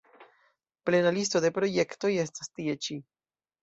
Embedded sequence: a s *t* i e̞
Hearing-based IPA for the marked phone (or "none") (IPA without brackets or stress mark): t